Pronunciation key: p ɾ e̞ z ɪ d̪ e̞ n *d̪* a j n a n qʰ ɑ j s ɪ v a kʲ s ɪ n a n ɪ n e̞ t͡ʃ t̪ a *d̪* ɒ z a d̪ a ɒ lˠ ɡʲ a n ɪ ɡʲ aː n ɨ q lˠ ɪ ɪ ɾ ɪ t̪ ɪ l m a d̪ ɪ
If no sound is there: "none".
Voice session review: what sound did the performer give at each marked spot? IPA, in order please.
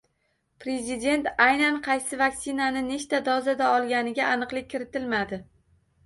t̪, d̪

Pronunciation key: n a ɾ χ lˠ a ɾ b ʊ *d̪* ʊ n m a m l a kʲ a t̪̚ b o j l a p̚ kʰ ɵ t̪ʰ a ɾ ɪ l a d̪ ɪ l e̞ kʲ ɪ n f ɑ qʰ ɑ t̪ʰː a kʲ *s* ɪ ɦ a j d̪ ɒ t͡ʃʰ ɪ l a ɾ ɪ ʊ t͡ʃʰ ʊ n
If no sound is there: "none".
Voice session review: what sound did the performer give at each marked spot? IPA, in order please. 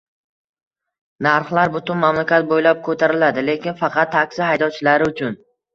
t̪, s

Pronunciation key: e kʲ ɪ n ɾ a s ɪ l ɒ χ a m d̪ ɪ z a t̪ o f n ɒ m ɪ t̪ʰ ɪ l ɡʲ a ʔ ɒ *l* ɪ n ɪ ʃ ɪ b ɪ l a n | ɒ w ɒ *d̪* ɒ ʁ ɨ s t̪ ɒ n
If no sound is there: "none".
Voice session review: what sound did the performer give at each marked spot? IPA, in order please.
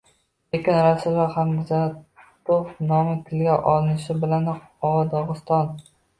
l, d̪

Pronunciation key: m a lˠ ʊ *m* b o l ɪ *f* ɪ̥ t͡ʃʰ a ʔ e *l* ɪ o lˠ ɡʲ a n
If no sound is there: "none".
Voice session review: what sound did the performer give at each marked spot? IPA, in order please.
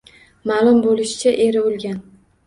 m, ʃ, ɾ

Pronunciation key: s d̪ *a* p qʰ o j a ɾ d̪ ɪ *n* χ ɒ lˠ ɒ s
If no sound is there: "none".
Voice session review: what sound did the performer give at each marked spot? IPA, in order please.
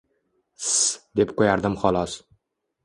e, m

